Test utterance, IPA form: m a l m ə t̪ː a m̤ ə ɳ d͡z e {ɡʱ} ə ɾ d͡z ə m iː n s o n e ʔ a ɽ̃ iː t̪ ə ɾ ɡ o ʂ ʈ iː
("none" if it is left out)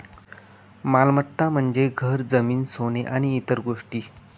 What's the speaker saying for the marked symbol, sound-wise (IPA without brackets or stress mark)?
ɡʱ